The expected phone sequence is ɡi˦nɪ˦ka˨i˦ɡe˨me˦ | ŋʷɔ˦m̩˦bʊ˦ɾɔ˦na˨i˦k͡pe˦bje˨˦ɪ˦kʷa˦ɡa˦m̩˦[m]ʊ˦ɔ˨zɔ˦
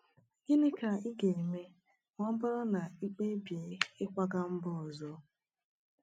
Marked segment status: incorrect: b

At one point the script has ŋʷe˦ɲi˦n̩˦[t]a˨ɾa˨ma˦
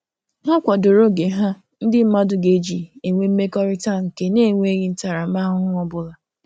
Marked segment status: correct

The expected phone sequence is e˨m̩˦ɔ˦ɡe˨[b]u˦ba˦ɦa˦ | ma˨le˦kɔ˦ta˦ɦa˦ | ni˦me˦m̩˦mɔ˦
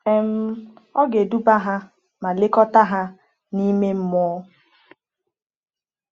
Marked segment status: incorrect: d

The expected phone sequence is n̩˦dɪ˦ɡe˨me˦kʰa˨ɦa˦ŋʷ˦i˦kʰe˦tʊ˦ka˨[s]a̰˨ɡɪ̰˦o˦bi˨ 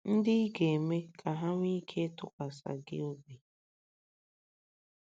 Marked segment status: correct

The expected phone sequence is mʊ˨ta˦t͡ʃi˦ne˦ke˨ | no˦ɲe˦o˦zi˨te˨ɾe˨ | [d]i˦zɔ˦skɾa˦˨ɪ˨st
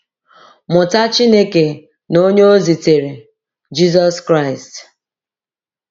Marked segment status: incorrect: d͡ʒ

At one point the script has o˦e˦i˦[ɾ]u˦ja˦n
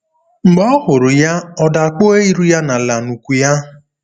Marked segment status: correct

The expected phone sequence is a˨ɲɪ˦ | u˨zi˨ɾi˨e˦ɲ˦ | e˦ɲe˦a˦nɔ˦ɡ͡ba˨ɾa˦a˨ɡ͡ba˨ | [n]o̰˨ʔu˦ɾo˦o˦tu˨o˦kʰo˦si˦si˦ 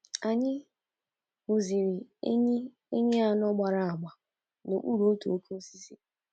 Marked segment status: correct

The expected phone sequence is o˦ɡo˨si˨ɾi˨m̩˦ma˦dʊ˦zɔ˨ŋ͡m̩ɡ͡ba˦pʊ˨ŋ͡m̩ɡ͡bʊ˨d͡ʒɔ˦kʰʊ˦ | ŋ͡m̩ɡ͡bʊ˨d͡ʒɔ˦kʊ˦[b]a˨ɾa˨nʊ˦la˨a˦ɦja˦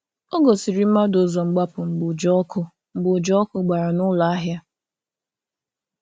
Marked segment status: incorrect: ɡ͡b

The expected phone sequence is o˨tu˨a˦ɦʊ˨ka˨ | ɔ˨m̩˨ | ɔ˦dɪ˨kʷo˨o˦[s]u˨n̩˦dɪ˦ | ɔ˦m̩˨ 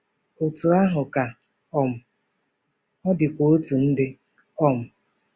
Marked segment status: incorrect: t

